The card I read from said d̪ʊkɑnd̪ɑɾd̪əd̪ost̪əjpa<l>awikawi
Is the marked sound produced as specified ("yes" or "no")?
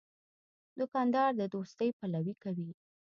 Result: yes